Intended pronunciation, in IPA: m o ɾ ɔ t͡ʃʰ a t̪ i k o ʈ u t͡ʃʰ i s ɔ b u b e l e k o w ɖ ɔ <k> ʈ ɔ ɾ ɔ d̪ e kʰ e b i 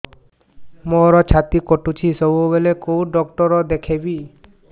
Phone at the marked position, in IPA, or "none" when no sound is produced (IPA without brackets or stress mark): k